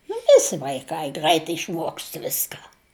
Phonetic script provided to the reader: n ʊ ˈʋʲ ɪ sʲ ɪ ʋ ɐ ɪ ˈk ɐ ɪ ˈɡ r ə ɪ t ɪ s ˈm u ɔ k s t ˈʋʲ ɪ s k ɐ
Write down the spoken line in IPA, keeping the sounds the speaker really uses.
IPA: n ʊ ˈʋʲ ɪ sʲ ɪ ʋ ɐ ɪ ˈk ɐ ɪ ˈɡ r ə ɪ t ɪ ʃ ˈm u ɔ k s t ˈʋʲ ɪ s k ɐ